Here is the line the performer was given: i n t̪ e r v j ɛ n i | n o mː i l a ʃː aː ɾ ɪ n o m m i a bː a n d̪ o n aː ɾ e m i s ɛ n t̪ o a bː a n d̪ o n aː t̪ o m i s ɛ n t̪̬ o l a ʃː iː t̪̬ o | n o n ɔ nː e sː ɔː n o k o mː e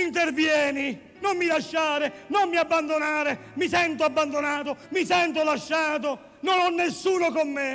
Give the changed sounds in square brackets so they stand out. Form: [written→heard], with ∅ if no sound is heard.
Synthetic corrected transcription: i n t̪ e r v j [ɛ→ɛː] n i | n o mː i l a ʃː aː ɾ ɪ n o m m i a bː a n d̪ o n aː ɾ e m i s ɛ n t̪ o a bː a n d̪ o n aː t̪ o m i s ɛ n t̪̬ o l a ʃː [iː→aː] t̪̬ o | n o n ɔ nː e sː [ɔː→uː] n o k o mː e